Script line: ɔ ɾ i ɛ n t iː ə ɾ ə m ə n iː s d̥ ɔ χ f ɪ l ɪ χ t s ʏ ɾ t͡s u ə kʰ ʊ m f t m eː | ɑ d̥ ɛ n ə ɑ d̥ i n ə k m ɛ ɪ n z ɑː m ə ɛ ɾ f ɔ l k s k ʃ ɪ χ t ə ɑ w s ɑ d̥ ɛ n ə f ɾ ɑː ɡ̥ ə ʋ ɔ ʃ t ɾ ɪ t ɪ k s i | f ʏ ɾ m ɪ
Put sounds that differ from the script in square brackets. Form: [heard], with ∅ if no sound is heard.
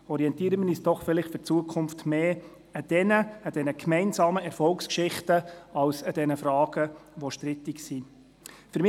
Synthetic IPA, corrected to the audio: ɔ ɾ i ɛ n t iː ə ɾ ə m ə n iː s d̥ ɔ χ f ɪ l ɪ χ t [f] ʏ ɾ t͡s u ə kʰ ʊ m f t m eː | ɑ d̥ ɛ n ə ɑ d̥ [ɛ] n ə k m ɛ ɪ n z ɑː m ə ɛ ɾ f ɔ l k s k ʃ ɪ χ t ə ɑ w s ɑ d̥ ɛ n ə f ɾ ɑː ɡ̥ ə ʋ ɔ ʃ t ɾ ɪ t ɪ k s i | f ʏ ɾ m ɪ